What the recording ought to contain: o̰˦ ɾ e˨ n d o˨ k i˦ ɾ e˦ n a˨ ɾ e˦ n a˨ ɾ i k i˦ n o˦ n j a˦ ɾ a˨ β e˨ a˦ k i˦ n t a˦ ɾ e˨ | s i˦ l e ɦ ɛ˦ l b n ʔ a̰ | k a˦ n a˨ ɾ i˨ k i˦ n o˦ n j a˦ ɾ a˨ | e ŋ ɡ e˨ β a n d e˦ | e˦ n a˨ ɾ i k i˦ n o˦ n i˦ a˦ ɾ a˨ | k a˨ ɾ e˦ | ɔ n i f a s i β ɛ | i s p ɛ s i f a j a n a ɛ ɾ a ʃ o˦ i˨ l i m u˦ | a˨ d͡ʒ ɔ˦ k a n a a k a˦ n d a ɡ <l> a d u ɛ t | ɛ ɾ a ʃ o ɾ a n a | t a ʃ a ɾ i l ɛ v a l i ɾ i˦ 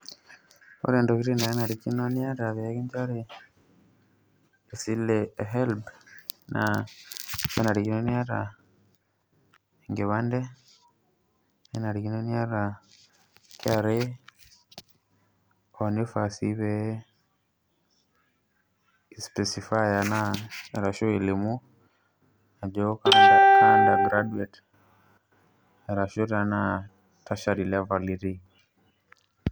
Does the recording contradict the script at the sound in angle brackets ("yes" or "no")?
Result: yes